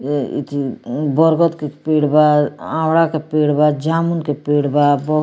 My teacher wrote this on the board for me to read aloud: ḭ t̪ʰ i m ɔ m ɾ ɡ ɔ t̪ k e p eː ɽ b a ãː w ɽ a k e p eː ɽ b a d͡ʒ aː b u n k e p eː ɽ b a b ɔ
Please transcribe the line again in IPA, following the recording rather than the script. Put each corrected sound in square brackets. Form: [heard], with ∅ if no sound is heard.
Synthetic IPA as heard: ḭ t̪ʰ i [b] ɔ [∅] ɾ ɡ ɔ t̪ k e p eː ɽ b a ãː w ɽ a k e p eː ɽ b a d͡ʒ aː [m] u n k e p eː ɽ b a b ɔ

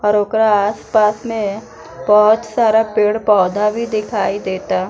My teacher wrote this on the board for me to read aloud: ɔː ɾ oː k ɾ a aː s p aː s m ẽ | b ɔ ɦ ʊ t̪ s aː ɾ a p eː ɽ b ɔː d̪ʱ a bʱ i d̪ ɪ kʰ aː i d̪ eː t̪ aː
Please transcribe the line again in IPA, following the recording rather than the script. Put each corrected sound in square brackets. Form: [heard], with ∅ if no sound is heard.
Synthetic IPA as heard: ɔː ɾ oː k ɾ a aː s p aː s m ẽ | b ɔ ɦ ʊ t̪ s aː ɾ a p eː ɽ [p] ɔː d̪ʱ a bʱ i d̪ ɪ kʰ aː i d̪ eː t̪ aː

